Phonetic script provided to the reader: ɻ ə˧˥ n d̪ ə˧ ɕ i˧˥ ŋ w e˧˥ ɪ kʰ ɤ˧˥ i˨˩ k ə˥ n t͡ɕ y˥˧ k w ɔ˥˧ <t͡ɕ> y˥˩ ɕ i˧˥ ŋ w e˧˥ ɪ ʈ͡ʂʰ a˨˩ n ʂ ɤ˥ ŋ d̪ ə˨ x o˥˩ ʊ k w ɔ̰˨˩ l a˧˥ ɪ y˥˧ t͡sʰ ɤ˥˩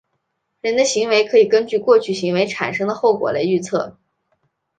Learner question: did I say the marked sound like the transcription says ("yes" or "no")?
no